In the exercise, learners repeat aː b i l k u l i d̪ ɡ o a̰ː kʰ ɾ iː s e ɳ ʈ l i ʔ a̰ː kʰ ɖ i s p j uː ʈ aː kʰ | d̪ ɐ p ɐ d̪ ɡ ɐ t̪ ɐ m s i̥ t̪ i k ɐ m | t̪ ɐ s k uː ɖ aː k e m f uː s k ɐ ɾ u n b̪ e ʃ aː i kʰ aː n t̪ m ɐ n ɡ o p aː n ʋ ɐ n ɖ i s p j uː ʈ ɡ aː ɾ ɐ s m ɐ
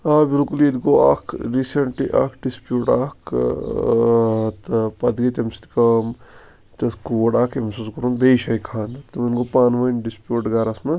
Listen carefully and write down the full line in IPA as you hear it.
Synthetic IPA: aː b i l k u l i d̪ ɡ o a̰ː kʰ ɾ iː s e ɳ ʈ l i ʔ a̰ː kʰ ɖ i s p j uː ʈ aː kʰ | t̪ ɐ p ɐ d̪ ɡ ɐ t̪ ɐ m s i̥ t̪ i k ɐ m | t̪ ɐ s k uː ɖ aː k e m s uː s k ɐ ɾ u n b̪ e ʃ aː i kʰ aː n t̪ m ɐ n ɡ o p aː n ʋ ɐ n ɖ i s p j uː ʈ ɡ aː ɾ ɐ s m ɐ